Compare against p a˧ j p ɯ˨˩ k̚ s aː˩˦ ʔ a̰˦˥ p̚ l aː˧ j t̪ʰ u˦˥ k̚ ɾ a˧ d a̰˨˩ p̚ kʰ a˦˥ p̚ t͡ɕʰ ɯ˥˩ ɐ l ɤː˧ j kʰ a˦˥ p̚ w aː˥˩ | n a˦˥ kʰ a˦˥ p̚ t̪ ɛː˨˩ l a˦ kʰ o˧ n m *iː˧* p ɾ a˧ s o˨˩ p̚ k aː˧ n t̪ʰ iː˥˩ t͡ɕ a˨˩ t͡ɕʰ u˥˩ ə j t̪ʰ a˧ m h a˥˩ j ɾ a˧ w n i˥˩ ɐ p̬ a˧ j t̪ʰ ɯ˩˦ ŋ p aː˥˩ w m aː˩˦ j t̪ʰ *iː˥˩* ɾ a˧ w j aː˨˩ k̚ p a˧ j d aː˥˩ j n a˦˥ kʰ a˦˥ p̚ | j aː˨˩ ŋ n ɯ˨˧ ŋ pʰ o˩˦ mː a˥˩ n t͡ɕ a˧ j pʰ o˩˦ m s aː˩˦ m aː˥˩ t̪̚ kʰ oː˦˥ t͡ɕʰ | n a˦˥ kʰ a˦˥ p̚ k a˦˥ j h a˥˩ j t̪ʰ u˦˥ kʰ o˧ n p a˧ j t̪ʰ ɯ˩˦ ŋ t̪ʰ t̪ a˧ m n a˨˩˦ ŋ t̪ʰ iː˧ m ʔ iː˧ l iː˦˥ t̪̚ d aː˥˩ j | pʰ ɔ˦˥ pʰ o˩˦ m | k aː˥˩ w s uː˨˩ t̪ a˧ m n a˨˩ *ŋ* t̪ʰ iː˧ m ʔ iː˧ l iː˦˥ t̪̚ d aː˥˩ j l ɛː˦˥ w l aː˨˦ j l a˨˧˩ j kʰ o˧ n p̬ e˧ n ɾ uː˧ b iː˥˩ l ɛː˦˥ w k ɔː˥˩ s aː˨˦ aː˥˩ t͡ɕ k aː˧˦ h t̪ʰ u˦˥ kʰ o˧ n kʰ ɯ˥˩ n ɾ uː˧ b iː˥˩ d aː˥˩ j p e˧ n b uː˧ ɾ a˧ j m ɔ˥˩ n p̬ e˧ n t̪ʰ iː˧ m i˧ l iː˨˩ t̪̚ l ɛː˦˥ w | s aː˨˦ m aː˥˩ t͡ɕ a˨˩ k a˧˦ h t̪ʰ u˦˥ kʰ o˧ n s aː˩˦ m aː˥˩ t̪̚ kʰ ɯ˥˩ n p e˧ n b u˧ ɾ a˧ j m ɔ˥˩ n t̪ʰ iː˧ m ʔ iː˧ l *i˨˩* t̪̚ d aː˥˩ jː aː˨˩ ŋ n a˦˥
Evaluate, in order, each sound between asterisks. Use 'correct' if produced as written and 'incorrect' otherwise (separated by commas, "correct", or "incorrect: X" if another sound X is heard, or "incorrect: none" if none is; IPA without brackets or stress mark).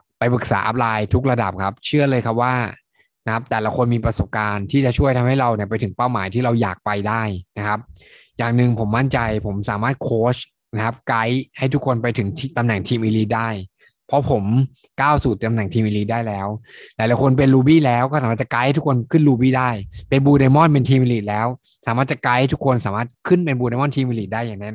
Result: correct, correct, correct, correct